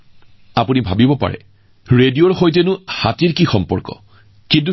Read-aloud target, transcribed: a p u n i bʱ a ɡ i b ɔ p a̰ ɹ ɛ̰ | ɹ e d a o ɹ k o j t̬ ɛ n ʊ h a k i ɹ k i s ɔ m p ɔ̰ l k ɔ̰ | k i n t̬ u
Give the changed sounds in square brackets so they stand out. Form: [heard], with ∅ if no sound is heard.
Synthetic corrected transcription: a p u n i bʱ a [b] i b ɔ p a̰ ɹ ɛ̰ | ɹ e d [i] o ɹ [x] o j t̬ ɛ n ʊ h a [t] i ɹ k i [x] ɔ m p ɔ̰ [ɹ] k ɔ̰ | k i n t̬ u

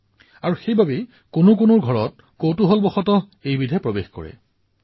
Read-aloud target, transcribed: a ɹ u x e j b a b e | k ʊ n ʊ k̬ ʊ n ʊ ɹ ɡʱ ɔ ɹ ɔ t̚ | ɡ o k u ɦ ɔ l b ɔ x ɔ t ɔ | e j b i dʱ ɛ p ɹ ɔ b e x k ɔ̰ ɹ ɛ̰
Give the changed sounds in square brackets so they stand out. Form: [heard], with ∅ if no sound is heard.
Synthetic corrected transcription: a ɹ u x e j b a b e | k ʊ n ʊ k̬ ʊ n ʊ ɹ ɡʱ ɔ ɹ ɔ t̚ | [k] o [t] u ɦ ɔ l b ɔ x ɔ t ɔ | e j b i dʱ ɛ p ɹ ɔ b e x k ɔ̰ ɹ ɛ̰

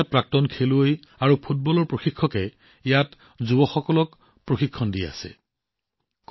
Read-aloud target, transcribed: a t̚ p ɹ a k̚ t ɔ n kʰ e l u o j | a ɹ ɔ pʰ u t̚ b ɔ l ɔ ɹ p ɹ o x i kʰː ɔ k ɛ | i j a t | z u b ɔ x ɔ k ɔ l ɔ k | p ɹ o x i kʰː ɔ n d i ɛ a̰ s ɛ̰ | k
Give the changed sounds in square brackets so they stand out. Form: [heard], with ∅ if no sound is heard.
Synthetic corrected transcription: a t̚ p ɹ a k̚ t ɔ n kʰ e l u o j | a ɹ [u] pʰ u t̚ b ɔ l ɔ ɹ p ɹ o x i kʰː ɔ k ɛ | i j a t | z u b ɔ x ɔ k ɔ l ɔ k | p ɹ o x i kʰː ɔ n d i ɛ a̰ s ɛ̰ | k

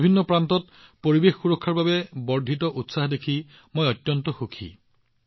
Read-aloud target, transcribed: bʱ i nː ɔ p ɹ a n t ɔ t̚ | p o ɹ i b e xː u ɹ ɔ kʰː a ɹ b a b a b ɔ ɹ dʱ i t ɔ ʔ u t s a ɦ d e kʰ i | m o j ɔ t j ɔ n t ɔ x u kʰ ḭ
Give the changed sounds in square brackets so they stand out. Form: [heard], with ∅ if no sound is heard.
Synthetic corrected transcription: bʱ i nː ɔ p ɹ a n t ɔ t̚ | p o ɹ i b e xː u ɹ ɔ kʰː a ɹ b a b [ɛ] b ɔ ɹ dʱ i t ɔ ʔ u t s a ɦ d e kʰ i | m o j ɔ t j ɔ n t ɔ x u kʰ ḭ

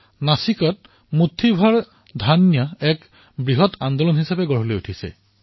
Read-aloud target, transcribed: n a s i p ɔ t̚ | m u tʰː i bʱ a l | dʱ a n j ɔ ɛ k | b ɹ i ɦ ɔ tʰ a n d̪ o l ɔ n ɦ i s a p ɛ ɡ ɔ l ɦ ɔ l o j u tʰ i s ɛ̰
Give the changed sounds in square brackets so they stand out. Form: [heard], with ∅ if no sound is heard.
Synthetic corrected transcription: n a s i [k] ɔ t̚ | m u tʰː i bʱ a [ɹ] | dʱ a n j ɔ ɛ k | b ɹ i ɦ ɔ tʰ a n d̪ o l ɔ n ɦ i s a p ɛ ɡ ɔ [ɹ] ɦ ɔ l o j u tʰ i s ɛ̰

